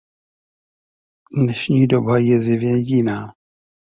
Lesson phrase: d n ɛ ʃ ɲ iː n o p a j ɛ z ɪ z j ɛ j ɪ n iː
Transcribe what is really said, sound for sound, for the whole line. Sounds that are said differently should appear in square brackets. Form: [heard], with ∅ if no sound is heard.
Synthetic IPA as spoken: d n ɛ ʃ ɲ iː [d] o [b] a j ɛ z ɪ [v] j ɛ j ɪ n [aː]